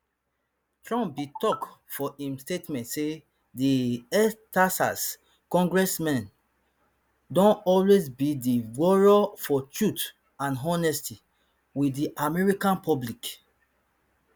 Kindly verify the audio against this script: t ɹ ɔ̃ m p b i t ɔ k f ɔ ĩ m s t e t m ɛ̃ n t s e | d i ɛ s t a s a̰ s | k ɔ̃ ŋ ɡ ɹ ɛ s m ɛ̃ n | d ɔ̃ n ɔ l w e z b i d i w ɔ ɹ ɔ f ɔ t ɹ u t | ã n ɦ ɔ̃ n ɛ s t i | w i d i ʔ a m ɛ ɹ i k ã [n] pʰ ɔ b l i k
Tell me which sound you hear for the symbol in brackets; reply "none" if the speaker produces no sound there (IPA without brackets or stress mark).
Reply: n